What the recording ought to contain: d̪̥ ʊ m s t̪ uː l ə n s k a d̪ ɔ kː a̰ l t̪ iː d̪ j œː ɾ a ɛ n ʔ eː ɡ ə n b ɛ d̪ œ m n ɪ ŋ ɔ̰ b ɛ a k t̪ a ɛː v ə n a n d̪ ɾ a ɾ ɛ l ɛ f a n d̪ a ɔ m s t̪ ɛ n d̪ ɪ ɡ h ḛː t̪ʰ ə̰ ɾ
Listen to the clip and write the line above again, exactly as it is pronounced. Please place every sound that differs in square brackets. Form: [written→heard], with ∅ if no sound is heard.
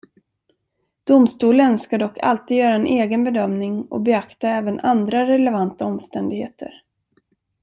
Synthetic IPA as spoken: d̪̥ ʊ m s t̪ uː l ə n s k a d̪ ɔ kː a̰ l t̪ iː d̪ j œː ɾ a ɛ n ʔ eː ɡ ə n b ɛ d̪ œ m n ɪ ŋ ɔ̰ b ɛ a k t̪ a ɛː v ə n a n d̪ ɾ a ɾ ɛ l ɛ [f→v] a n [d̪→t̪] a ɔ m s t̪ ɛ n d̪ ɪ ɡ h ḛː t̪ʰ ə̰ ɾ